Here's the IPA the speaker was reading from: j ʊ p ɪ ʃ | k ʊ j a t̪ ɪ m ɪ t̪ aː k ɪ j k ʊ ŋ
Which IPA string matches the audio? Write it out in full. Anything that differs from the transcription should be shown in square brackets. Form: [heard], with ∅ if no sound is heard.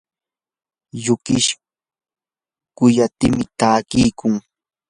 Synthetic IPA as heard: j ʊ [k] ɪ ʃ | k ʊ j a t̪ ɪ m ɪ t̪ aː k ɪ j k ʊ ŋ